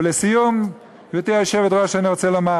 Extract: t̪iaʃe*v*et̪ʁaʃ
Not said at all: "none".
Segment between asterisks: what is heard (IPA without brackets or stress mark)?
v